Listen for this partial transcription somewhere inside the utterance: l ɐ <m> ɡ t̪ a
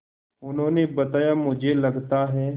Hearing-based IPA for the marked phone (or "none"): none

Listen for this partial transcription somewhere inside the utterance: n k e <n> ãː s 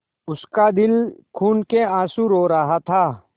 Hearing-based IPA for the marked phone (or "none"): none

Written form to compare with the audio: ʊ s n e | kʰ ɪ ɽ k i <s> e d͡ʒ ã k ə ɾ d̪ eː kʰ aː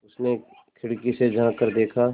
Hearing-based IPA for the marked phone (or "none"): s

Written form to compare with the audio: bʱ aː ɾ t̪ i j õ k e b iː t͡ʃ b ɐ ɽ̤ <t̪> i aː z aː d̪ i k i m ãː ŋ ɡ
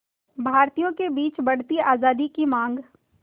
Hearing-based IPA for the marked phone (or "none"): t̪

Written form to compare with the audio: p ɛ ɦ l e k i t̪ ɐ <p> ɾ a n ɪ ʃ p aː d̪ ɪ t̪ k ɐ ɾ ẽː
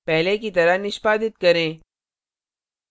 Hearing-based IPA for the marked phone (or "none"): none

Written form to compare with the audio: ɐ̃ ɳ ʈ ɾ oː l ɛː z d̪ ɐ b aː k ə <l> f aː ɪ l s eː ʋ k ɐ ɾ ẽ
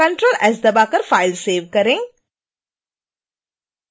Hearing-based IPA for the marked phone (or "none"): ɾ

